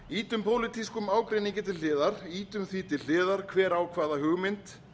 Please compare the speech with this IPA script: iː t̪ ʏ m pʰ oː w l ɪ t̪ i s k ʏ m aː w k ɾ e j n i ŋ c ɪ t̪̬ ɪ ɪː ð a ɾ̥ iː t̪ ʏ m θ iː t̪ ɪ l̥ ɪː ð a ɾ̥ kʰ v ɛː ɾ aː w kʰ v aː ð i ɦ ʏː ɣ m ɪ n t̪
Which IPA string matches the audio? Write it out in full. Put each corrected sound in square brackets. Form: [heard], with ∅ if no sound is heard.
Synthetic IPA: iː t̪ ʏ m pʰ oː w l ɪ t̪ i s k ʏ m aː w k ɾ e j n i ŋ c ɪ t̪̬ ɪ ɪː ð a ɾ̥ iː t̪ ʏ m θ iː t̪ ɪ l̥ ɪː ð a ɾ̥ kʰ v ɛː ɾ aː w kʰ v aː ð [a] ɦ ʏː ɣ m ɪ n t̪